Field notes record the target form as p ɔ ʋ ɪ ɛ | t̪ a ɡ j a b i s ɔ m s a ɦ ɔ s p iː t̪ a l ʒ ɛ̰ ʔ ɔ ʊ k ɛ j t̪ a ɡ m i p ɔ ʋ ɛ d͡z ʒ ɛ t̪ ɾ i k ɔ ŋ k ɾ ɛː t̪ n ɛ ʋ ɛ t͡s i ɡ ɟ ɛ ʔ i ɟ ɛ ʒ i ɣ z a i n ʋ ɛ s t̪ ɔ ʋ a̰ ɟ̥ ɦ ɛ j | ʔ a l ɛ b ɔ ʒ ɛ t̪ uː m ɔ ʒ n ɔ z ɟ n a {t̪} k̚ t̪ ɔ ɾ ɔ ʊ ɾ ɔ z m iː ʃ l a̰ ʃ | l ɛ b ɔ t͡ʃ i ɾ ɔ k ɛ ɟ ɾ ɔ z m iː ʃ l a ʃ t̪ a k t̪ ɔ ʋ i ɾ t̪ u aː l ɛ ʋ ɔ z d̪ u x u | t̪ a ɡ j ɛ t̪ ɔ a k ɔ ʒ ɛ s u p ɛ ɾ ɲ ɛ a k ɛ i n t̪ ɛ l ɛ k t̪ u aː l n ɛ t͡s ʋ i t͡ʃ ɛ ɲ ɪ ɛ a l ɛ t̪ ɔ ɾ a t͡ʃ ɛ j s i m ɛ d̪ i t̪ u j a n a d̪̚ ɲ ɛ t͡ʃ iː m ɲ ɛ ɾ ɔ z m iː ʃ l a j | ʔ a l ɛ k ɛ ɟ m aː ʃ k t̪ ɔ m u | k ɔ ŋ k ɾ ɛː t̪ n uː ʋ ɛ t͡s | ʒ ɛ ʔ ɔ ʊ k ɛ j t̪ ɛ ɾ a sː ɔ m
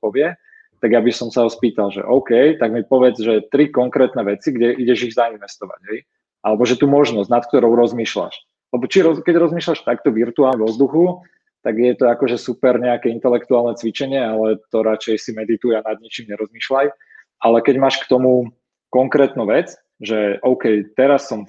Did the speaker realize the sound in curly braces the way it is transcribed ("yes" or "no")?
yes